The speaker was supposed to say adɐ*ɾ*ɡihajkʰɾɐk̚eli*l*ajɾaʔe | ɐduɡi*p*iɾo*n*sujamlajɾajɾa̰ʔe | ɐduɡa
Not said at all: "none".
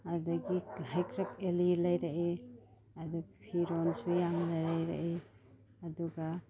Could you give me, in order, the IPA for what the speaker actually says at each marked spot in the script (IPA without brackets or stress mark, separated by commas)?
none, l, pʰ, n